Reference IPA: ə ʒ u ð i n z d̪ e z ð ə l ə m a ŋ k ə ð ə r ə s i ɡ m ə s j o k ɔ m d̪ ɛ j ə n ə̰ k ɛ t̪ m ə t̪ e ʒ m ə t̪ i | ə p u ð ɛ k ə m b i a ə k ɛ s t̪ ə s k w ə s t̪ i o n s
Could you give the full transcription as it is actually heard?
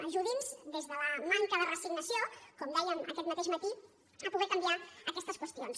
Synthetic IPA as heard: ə ʒ u ð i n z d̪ e z ð ə l ə m a ŋ k ə ð ə r ə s i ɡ n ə s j o k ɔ m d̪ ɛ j ə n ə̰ k ɛ t̪ m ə t̪ e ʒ m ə t̪ i | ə p u ɣ ɛ k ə m b i a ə k ɛ s t̪ ə s k w ə s t̪ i o n s